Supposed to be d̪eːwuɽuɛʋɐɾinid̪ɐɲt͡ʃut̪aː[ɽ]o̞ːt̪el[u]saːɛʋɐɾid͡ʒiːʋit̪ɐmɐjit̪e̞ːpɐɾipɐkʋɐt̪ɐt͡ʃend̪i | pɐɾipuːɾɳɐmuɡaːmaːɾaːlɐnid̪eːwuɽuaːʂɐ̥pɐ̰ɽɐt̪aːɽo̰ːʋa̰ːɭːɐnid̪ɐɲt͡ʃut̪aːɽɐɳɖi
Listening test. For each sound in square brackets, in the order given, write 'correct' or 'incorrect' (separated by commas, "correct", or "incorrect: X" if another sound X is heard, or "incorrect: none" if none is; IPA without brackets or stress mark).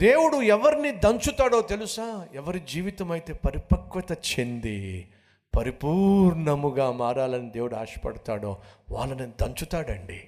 correct, correct